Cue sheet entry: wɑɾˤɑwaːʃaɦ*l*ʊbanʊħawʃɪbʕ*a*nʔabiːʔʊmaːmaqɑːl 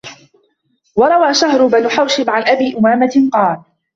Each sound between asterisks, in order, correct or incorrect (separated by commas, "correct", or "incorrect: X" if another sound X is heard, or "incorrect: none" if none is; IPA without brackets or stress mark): incorrect: ɾ, correct